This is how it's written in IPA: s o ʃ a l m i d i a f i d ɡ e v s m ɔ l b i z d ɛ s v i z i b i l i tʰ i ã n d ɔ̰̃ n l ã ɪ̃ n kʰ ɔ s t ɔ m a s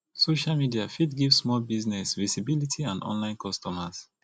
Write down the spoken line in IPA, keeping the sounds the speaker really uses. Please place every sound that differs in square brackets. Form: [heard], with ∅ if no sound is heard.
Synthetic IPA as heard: s o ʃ a l m i d i a f i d ɡ [i] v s m ɔ l b i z [n] ɛ s v i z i b i l i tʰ i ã n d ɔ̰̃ n l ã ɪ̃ n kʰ ɔ s t ɔ m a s